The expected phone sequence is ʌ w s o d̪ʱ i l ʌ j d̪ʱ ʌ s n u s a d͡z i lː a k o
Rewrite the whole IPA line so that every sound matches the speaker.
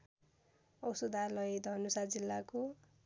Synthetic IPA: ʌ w s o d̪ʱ a l ʌ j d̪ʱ ʌ n u s a d͡z i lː a k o